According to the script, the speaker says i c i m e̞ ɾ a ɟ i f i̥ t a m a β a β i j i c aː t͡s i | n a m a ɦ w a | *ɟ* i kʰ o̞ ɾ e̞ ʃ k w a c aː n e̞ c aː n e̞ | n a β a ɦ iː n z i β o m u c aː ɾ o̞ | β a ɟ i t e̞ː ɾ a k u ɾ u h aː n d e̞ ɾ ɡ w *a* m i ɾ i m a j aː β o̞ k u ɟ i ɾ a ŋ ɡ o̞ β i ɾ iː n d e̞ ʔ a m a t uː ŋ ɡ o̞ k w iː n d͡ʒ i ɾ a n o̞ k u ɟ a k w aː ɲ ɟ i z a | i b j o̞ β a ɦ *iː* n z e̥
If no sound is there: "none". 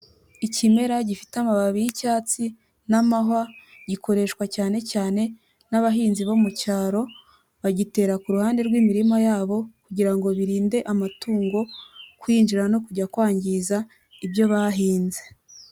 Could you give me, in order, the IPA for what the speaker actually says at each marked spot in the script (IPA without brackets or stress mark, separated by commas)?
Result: ɟ, i, iː